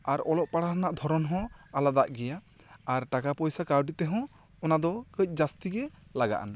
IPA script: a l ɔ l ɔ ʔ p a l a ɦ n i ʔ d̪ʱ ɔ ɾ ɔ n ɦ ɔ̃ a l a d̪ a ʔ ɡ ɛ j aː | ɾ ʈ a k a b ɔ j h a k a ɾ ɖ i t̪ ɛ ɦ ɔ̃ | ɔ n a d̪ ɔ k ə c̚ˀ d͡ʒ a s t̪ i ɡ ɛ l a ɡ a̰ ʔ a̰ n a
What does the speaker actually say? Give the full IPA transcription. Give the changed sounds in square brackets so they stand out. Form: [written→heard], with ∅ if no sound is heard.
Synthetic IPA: a [l→ɾ] ɔ l ɔ ʔ p a [l→ɽ] a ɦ n [i→a] ʔ d̪ʱ ɔ ɾ ɔ n ɦ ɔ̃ a l a d̪ a ʔ ɡ ɛ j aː | ɾ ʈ a k a [b→p] ɔ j [h→s] a k a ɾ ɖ i t̪ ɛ ɦ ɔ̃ | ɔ n a d̪ ɔ k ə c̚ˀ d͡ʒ a s t̪ i ɡ ɛ l a ɡ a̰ ʔ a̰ n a

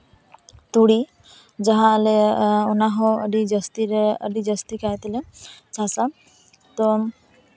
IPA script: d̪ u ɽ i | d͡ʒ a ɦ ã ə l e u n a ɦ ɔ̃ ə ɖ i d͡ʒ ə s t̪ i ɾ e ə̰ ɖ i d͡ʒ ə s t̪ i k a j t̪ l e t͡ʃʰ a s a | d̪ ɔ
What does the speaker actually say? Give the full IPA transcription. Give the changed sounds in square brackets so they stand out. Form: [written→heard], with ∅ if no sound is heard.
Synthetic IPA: [d̪→t̪] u ɽ i | d͡ʒ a ɦ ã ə l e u n a ɦ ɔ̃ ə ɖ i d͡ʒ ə s t̪ i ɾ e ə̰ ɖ i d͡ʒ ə s t̪ i k a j t̪ l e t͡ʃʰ a s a | [d̪→t̪] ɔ

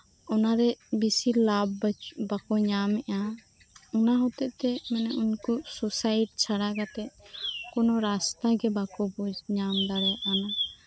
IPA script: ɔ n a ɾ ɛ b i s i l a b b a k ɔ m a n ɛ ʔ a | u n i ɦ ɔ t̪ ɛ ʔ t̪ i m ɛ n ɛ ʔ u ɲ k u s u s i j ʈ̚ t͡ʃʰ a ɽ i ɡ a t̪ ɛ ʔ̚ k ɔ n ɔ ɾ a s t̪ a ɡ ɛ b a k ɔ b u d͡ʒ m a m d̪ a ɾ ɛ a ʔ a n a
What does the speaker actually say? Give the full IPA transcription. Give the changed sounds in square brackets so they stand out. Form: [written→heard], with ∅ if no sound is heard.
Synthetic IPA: ɔ n a ɾ ɛ b i s i l a b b a k ɔ [m→ɲ] a [n→m] ɛ ʔ a | u n [i→a] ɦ ɔ t̪ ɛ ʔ t̪ [i→ɛ] m ɛ n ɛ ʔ u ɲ k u s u s [i→a] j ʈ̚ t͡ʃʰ a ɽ [i→a] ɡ a t̪ ɛ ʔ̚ k ɔ n ɔ ɾ a s t̪ a ɡ ɛ b a k ɔ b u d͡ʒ [m→ɲ] a m d̪ a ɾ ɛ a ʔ a n a

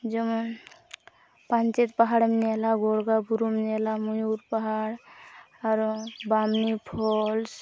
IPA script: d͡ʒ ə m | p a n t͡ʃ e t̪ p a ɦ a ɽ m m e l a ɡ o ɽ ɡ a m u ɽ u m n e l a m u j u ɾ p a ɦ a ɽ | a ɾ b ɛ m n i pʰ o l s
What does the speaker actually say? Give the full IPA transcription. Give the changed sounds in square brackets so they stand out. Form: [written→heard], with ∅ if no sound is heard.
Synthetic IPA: d͡ʒ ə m | p a n t͡ʃ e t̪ p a ɦ a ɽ m [m→n] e l a ɡ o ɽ ɡ a [m→b] u [ɽ→ɾ] u m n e l a m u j u ɾ p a ɦ a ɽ | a ɾ b [ɛ→a] m n i pʰ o l s

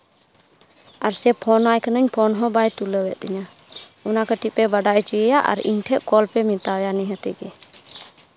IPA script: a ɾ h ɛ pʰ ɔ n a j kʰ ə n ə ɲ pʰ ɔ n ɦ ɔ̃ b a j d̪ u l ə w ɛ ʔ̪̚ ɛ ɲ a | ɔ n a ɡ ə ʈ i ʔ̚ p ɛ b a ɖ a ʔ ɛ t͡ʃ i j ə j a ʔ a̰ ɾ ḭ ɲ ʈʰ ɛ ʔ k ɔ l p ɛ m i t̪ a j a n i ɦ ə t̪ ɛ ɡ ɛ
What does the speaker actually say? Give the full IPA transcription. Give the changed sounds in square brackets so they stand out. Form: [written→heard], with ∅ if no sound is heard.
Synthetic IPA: a ɾ [h→s] ɛ pʰ ɔ n a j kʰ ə n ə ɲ pʰ ɔ n ɦ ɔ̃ b a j [d̪→t̪] u l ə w ɛ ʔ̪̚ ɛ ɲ a | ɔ n a [ɡ→k] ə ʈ i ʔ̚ p ɛ b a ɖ a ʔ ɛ t͡ʃ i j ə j a ʔ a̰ ɾ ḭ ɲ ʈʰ ɛ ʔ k ɔ l p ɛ m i t̪ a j a n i ɦ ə t̪ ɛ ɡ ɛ

